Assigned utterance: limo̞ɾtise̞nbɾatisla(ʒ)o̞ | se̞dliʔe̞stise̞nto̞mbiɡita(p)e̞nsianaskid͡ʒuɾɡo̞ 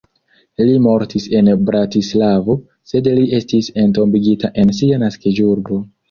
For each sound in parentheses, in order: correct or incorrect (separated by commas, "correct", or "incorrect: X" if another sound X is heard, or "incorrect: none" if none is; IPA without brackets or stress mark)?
incorrect: v, incorrect: ʔ